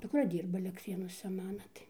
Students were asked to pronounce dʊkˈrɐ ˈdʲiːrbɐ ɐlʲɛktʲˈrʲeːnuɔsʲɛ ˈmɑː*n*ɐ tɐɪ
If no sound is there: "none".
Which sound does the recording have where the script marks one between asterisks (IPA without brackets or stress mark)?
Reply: n